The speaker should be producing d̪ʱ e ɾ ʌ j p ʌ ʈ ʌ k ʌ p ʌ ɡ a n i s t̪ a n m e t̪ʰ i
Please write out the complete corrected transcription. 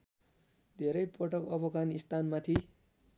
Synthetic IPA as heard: d̪ʱ e ɾ ʌ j p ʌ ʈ ʌ k ʌ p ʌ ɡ a n i s t̪ a n m a t̪ʰ i